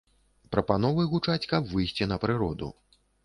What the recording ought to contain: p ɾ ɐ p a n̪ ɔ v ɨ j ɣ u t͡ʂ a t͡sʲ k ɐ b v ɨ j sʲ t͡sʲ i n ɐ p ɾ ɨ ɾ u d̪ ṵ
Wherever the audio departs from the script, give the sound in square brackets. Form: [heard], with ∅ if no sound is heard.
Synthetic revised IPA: p ɾ ɐ p a n̪ ɔ v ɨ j ɣ u t͡ʂ a t͡sʲ k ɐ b v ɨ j sʲ t͡sʲ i n ɐ p ɾ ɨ ɾ [ɔ] d̪ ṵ